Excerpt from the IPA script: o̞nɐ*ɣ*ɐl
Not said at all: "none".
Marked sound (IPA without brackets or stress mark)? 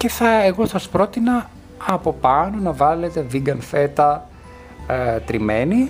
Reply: v